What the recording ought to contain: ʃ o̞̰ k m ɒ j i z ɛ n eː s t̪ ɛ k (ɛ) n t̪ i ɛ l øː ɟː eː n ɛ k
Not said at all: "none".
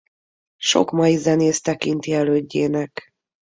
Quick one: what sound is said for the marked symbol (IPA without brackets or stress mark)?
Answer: i